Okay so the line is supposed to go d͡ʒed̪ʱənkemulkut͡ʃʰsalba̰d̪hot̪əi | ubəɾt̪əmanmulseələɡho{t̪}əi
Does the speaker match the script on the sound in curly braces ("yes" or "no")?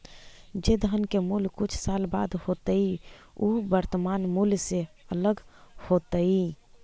yes